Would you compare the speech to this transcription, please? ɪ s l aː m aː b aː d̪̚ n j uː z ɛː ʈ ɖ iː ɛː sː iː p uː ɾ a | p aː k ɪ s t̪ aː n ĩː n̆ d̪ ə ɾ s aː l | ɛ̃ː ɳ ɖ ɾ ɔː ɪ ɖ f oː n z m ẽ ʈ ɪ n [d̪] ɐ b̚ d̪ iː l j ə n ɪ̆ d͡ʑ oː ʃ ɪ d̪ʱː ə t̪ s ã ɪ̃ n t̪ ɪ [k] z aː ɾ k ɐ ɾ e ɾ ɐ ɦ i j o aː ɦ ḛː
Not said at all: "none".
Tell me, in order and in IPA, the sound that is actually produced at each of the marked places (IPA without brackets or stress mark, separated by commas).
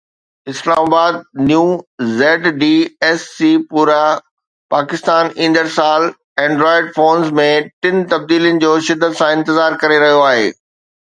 t̪, none